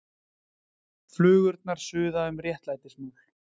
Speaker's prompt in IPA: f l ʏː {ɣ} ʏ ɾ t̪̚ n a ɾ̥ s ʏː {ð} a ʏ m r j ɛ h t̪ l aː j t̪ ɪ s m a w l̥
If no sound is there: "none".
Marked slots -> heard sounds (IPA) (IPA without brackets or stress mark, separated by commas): ɣ, ð